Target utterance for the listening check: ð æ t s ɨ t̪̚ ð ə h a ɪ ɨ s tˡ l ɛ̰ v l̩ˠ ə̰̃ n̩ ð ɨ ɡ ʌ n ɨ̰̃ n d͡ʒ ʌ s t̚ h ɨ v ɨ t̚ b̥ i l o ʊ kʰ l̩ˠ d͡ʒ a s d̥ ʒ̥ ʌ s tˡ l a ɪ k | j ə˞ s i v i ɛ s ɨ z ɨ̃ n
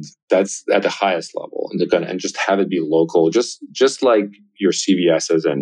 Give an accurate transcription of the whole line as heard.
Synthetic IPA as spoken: ð æ t s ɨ t̪̚ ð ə h a ɪ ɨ s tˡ l ɛ̰ v l̩ˠ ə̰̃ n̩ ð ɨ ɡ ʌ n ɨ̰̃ n d͡ʒ ʌ s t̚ h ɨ v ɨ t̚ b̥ i l o ʊ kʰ l̩ˠ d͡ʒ ʌ s d̥ ʒ̥ ʌ s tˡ l a ɪ k | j ə˞ s i v i ɛ s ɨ z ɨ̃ n